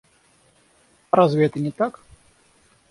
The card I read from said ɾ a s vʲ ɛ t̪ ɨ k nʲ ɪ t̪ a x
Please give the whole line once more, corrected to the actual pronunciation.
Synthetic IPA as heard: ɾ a z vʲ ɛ t̪ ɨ nʲ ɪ t̪ a k